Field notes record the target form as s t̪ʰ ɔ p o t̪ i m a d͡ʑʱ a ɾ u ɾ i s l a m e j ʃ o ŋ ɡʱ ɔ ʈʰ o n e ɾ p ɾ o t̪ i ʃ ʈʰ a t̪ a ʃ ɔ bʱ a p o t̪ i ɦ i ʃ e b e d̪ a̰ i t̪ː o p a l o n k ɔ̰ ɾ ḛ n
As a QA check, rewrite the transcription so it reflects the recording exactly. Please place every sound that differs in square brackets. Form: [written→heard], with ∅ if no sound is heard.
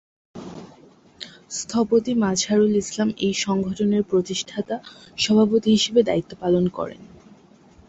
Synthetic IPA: s t̪ʰ ɔ p o t̪ i m a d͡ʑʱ a ɾ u [ɾ→l] i s l a m e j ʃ [o→ɔ] ŋ ɡʱ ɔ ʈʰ o n e ɾ p ɾ o t̪ i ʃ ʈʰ a t̪ a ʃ ɔ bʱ a p o t̪ i ɦ i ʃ e b e d̪ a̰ i t̪ː o p a l o n k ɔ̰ ɾ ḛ n

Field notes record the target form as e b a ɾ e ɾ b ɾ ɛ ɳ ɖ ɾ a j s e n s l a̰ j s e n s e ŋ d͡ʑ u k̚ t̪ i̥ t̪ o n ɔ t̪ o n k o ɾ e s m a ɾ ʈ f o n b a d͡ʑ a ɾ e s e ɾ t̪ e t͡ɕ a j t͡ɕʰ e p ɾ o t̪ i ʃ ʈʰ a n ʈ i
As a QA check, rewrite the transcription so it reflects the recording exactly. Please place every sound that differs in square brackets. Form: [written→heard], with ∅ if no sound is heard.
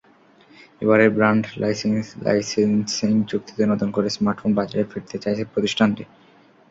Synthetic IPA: e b a ɾ e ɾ b ɾ [ɛ→a] ɳ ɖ [ɾ→l] a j s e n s l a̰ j s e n s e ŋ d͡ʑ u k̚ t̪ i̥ t̪ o n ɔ t̪ o n k o ɾ e s m a ɾ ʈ f o n b a d͡ʑ a ɾ e [s→f] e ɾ t̪ e t͡ɕ a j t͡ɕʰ e p ɾ o t̪ i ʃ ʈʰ a n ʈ i

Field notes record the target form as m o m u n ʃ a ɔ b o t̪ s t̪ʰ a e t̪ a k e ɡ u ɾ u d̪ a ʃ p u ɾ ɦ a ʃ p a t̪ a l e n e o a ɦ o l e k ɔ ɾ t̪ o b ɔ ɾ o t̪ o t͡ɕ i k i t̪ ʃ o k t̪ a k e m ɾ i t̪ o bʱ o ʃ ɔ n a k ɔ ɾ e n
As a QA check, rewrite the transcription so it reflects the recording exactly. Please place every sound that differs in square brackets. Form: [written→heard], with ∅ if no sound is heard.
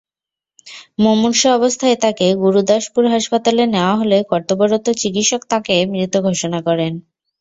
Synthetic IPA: m o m u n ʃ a ɔ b o [t̪→∅] s t̪ʰ a e t̪ a k e ɡ u ɾ u d̪ a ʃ p u ɾ ɦ a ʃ p a t̪ a l e n e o a ɦ o l e k ɔ ɾ t̪ o b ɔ ɾ o t̪ o t͡ɕ i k i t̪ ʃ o k t̪ a k e m ɾ i t̪ o [bʱ→ɡʱ] o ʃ [ɔ→o] n a k ɔ ɾ e n

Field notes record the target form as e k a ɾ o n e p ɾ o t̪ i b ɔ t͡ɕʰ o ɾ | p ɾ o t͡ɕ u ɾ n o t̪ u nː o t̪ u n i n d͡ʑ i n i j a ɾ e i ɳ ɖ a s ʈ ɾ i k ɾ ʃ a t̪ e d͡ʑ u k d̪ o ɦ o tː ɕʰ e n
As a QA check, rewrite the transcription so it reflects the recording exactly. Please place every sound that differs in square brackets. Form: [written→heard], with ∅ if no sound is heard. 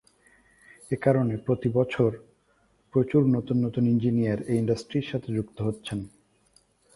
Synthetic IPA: e k a ɾ o n e p ɾ o t̪ i b ɔ t͡ɕʰ o ɾ | p ɾ o t͡ɕ u ɾ n o t̪ u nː o t̪ u n i n d͡ʑ i n i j a ɾ e i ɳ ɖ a s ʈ ɾ i [k→∅] ɾ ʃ a [t̪→t̪ʰ] e d͡ʑ u k [d̪→t̪] o ɦ o tː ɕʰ e n

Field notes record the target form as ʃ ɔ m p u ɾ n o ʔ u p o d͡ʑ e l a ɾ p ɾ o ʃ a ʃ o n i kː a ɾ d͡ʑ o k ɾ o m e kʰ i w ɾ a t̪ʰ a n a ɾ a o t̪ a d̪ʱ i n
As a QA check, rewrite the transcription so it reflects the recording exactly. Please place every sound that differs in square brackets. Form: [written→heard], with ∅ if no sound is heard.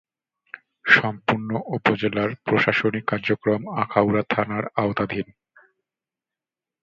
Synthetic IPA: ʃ ɔ m p u ɾ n o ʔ u p o d͡ʑ e l a ɾ p ɾ o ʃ a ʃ o n i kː a ɾ d͡ʑ o k ɾ o m [e→a] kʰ [i→a] w ɾ a t̪ʰ a n a ɾ a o t̪ a d̪ʱ i n

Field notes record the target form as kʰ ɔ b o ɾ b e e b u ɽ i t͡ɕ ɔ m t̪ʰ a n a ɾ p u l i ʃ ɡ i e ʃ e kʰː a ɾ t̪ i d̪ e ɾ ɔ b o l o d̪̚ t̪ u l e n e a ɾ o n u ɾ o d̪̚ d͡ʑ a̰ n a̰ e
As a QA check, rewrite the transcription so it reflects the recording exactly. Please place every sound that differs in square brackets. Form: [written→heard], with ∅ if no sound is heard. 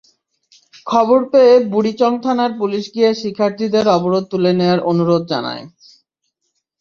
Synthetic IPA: kʰ ɔ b o ɾ [b→p] e e b u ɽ i t͡ɕ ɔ [m→ŋ] t̪ʰ a n a ɾ p u l i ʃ ɡ i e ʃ [e→i] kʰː a ɾ t̪ i d̪ e ɾ ɔ b o [l→ɾ] o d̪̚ t̪ u l e n e a ɾ o n u ɾ o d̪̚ d͡ʑ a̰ n a̰ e

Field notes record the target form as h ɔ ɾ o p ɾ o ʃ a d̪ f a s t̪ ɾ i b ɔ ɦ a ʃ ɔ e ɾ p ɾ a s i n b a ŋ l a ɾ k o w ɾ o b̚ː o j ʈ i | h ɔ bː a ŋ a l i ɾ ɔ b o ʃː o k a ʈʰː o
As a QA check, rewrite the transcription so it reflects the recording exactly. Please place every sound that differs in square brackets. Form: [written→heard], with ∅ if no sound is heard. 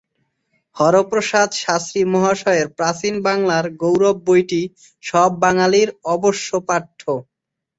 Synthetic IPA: h ɔ ɾ o p ɾ o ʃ a d̪ [f→ʃ] a s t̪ ɾ i [b→m] ɔ ɦ a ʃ ɔ e ɾ p ɾ a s i n b a ŋ l a ɾ [k→ɡ] o w ɾ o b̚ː o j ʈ i | [h→ʃ] ɔ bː a ŋ a l i ɾ ɔ b o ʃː o [k→p] a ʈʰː o

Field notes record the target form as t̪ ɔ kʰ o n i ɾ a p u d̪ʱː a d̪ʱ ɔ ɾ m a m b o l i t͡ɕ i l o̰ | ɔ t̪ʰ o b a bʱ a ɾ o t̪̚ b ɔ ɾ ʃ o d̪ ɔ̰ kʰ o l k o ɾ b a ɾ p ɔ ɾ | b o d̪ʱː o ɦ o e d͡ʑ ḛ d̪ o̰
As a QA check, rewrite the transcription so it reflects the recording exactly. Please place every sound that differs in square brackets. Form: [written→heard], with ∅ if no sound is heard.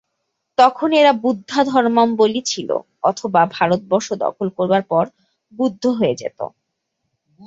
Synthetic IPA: t̪ ɔ kʰ o n [i→e] ɾ a [p→b] u d̪ʱː a d̪ʱ ɔ ɾ m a m b o l i [t͡ɕ→t͡ɕʰ] i l o̰ | ɔ t̪ʰ o b a bʱ a ɾ o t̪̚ b ɔ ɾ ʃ o d̪ ɔ̰ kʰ o l k o ɾ b a ɾ p ɔ ɾ | b [o→u] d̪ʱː o ɦ o e d͡ʑ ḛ [d̪→t̪] o̰

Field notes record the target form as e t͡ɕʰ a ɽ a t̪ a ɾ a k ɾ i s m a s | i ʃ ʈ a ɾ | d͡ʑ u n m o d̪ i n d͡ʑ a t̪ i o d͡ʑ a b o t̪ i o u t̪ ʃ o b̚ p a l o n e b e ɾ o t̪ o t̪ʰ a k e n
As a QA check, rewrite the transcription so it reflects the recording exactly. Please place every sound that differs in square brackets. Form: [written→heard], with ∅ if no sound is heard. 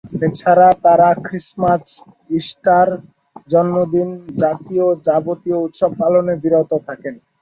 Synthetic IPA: e t͡ɕʰ a [ɽ→ɾ] a t̪ a ɾ a k ɾ i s m a s | i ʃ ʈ a ɾ | d͡ʑ [u→ɔ] n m o d̪ i n d͡ʑ a t̪ i o d͡ʑ a b o t̪ i o u t̪ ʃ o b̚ p a l o n e b [e→i] ɾ o t̪ o t̪ʰ a k e n

